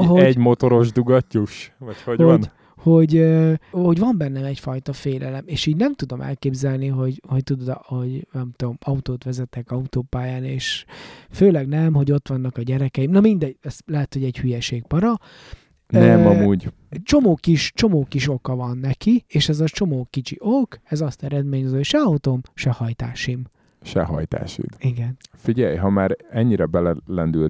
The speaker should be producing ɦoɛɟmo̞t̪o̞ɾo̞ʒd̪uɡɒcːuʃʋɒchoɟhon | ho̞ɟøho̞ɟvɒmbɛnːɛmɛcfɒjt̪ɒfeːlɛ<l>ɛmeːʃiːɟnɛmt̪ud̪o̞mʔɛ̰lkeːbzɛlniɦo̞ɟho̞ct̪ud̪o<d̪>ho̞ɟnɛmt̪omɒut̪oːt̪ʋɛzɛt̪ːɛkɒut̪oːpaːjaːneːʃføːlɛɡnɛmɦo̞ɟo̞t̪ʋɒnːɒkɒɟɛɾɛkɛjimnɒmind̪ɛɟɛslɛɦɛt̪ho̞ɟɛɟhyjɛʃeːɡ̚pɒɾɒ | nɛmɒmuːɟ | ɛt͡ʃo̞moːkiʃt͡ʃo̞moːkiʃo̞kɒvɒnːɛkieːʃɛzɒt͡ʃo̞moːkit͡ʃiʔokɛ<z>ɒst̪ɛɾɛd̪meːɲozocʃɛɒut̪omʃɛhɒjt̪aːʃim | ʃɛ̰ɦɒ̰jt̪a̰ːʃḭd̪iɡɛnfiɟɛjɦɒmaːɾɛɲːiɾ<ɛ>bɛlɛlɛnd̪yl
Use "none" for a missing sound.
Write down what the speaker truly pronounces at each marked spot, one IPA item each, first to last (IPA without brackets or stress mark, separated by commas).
l, d̪, z, ɛ